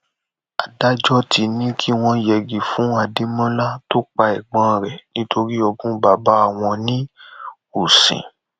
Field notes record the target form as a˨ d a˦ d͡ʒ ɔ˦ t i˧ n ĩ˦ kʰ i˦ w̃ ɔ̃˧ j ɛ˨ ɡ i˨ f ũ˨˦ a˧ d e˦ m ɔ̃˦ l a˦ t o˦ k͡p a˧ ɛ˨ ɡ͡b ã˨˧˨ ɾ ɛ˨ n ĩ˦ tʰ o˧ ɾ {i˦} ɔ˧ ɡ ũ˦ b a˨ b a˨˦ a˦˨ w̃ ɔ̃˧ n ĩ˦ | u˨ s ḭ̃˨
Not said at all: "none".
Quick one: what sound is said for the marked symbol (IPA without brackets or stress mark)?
i˦